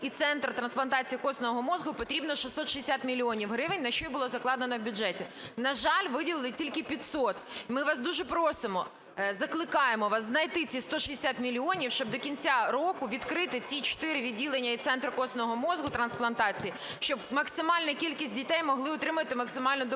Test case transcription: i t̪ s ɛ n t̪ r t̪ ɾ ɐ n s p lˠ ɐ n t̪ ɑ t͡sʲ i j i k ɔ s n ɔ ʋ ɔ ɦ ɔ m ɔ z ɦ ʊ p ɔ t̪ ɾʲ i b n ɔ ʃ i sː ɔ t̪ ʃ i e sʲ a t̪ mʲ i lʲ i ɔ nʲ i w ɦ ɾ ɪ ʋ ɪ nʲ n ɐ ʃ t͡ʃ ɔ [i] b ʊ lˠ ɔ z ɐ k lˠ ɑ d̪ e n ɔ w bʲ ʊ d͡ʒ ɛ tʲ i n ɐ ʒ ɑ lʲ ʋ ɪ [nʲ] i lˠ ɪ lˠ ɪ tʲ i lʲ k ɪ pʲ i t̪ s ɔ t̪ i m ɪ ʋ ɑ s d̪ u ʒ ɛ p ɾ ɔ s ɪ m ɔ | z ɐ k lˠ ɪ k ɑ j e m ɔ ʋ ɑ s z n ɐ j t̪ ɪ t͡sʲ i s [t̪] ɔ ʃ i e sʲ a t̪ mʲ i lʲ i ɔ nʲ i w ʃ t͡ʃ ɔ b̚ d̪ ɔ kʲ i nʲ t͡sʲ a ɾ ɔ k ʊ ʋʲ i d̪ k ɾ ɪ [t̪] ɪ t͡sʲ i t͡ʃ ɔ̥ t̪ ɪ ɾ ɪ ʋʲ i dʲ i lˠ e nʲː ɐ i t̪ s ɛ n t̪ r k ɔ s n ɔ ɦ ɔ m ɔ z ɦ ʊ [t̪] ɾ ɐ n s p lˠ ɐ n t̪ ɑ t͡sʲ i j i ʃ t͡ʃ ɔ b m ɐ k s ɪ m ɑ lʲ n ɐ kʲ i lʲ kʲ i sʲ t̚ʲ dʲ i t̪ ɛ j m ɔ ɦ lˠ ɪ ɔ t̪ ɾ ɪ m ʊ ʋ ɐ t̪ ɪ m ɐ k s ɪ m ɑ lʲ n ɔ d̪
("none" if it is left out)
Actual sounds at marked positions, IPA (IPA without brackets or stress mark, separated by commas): j, dʲ, t̪, t̪, t̪